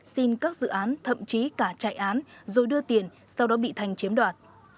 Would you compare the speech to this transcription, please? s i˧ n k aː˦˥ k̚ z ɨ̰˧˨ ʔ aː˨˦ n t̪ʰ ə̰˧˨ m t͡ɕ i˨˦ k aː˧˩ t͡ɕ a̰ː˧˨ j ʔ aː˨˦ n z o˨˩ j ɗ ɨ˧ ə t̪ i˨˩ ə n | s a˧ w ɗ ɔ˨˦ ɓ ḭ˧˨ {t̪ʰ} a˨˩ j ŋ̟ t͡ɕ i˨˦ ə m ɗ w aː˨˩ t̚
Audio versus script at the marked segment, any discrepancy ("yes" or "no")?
no